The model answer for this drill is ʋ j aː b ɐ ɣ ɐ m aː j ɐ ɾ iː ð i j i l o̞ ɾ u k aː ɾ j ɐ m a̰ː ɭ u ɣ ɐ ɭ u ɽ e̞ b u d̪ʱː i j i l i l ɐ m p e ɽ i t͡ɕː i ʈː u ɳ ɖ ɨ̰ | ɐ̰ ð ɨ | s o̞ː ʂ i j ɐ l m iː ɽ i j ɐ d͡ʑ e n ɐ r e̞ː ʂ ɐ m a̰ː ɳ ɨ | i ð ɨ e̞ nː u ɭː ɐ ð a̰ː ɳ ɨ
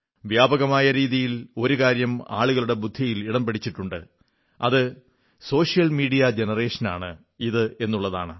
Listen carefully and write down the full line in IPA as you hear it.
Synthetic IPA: ʋ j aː b ɐ ɣ ɐ m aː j ɐ ɾ iː ð i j i l o̞ ɾ u k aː ɾ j ɐ m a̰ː ɭ u ɣ ɐ ɭ u ɽ e̞ b u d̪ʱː i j i l i ɽ ɐ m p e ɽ i t͡ɕː i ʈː u ɳ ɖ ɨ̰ | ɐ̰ ð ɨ | s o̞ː ʂ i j ɐ l m iː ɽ i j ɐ d͡ʑ e n ɐ r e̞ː ʂ ɐ n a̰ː ɳ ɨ | i ð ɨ e̞ nː u ɭː ɐ ð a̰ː ɳ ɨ